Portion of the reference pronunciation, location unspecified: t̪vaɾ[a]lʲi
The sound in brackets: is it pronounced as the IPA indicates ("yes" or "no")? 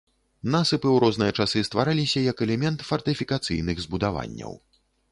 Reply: yes